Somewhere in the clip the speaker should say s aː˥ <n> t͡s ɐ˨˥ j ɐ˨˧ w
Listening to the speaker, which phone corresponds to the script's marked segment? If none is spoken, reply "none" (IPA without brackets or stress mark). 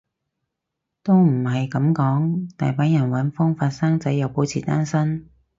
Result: ŋ